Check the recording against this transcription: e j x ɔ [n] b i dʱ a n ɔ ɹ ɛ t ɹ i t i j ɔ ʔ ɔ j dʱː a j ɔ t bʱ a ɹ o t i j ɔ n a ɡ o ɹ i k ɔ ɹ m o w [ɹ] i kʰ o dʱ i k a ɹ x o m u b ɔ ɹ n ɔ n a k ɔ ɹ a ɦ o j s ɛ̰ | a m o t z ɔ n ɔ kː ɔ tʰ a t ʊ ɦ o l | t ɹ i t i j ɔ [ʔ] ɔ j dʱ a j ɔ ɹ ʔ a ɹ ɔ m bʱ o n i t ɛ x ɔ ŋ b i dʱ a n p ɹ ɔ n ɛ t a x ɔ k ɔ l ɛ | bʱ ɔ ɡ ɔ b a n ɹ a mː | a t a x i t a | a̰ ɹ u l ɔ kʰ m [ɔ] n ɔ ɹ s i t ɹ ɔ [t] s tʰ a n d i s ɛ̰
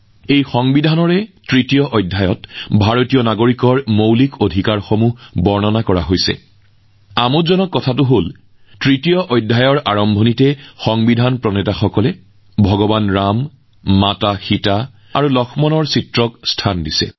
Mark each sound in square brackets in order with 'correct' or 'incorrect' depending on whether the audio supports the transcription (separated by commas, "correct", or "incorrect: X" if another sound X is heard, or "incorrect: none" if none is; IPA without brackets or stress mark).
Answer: incorrect: ŋ, incorrect: l, correct, correct, incorrect: k